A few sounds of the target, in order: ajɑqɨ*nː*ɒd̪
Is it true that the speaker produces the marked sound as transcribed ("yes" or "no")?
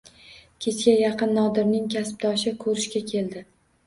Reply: yes